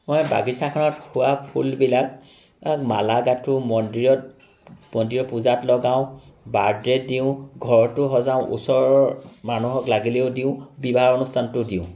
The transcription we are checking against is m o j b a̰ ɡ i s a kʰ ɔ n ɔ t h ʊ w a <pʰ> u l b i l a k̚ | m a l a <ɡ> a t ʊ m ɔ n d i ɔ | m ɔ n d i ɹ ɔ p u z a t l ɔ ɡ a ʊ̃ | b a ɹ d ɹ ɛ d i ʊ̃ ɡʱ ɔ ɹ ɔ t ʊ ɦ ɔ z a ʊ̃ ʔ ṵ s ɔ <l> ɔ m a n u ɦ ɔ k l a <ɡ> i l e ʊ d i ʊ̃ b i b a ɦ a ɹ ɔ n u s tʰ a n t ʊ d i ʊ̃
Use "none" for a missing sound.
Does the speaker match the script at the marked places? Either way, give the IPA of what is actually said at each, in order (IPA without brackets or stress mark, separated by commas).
pʰ, ɡ, ɹ, ɡ